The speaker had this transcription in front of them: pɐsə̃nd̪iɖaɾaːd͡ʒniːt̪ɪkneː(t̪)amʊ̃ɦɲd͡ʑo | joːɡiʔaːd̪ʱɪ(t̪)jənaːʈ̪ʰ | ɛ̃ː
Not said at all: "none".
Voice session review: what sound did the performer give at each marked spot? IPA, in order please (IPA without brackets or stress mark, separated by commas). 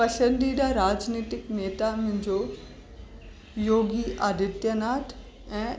t̪, t̪